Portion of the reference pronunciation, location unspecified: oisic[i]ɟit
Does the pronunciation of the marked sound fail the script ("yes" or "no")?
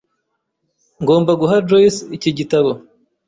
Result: no